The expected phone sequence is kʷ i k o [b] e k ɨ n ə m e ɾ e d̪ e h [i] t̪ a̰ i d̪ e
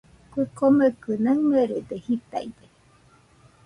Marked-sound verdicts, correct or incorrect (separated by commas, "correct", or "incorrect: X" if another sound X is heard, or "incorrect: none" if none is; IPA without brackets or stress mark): incorrect: m, correct